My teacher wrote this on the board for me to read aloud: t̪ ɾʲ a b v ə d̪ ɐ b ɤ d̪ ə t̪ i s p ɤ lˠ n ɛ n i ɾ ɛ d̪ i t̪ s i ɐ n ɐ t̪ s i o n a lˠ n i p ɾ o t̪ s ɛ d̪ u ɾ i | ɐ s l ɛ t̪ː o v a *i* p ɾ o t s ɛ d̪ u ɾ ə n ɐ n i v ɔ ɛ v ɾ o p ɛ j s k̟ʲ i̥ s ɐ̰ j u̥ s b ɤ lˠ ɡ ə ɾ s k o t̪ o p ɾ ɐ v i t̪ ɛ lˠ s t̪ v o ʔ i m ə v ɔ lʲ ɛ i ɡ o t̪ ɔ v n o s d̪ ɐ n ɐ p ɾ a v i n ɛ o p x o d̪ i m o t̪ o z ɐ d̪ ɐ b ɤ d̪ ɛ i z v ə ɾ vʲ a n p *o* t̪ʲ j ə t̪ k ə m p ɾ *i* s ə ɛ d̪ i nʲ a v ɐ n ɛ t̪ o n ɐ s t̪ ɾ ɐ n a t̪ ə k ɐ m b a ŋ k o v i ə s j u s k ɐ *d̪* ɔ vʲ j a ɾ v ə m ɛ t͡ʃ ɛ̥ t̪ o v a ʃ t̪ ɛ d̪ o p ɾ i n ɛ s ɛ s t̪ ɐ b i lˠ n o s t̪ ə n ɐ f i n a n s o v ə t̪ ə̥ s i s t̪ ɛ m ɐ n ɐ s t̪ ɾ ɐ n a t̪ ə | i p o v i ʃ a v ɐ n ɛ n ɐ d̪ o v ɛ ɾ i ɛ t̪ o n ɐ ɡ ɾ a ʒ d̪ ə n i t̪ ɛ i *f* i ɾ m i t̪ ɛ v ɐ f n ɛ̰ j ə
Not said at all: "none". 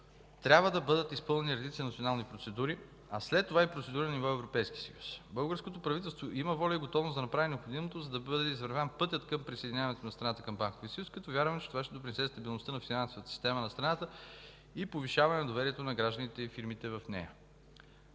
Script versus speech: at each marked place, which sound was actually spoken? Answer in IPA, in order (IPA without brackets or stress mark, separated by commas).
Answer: i, ɤ, i, t̪, f